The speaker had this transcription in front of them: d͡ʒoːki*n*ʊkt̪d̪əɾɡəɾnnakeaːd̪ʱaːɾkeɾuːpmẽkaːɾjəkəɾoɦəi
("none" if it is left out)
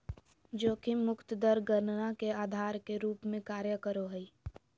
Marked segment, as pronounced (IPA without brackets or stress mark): m